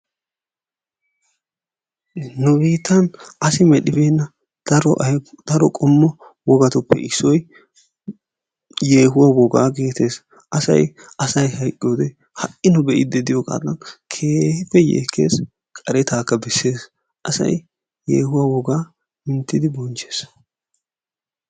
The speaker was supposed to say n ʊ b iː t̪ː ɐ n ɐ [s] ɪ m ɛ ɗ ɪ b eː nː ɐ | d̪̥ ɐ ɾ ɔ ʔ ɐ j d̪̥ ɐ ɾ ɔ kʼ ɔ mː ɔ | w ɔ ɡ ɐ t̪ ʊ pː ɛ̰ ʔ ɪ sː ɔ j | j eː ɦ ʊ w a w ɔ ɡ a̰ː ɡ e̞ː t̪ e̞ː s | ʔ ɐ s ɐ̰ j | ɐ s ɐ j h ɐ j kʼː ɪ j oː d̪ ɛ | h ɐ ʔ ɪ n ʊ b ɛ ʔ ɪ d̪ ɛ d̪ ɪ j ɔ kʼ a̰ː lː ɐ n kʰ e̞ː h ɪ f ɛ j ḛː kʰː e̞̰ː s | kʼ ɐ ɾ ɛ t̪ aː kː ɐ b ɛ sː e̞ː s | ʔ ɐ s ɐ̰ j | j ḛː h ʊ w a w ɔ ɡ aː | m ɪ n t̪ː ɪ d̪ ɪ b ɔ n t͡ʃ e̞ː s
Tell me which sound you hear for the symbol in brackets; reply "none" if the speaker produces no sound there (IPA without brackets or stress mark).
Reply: s